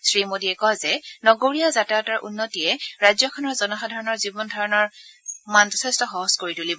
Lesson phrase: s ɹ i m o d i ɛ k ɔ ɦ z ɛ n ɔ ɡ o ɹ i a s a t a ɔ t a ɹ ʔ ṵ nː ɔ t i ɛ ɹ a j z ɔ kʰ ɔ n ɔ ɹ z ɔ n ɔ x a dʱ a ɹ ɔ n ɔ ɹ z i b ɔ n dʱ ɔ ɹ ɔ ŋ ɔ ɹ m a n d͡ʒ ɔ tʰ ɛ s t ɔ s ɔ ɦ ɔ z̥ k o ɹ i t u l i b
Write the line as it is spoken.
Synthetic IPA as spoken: s ɹ i m o d i ɛ k ɔ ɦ z ɛ n ɔ ɡ o ɹ i a z a t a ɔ t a ɹ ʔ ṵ nː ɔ t i ɛ ɹ a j z ɔ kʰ ɔ n ɔ ɹ z ɔ n ɔ x a dʱ a ɹ ɔ n ɔ ɹ z i b ɔ n dʱ ɔ ɹ ɔ n ɔ ɹ m a n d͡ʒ ɔ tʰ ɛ s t ɔ x ɔ ɦ ɔ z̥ k o ɹ i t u l i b